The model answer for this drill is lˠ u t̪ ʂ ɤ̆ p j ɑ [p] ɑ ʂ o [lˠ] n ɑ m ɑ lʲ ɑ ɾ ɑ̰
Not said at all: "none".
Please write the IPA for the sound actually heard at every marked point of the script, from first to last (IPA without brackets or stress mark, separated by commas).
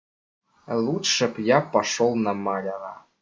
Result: p, lˠ